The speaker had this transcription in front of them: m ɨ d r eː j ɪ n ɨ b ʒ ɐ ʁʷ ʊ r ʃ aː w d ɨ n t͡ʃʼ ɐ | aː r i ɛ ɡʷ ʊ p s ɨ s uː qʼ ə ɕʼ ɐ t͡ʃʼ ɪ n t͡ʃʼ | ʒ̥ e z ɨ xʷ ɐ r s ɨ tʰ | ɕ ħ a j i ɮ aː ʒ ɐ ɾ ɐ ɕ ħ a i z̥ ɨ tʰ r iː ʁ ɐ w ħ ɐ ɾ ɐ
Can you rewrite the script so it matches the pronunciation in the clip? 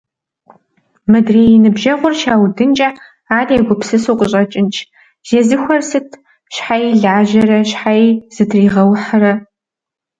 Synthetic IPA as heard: m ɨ d r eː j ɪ n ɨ b ʒ ɐ ʁʷ ʊ r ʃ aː w d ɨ n t͡ʃʼ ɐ | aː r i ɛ ɡʷ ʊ p s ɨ s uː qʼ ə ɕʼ ɐ t͡ʃʼ ɪ n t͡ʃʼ | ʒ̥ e z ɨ xʷ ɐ r s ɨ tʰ | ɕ ħ a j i ɮ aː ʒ ɐ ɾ ɐ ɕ ħ a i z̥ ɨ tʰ r iː ʁ ɐ w ħ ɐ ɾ ɐ